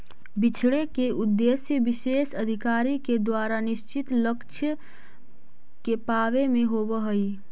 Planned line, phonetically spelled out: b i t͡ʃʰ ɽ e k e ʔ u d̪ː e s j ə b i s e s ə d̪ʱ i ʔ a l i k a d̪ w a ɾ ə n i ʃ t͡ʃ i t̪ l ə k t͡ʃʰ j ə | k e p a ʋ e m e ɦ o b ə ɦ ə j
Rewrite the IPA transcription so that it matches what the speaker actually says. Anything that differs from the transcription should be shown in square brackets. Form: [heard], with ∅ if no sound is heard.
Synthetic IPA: b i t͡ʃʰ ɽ e k e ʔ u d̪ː e s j ə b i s e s ə d̪ʱ i [k] a [ɾ] i k [e] d̪ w a ɾ [a] n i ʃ t͡ʃ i t̪ l ə k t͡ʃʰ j ə | k e p a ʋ e m e ɦ o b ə ɦ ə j